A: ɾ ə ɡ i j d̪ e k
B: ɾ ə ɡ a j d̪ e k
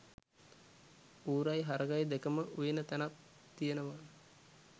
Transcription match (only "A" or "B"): B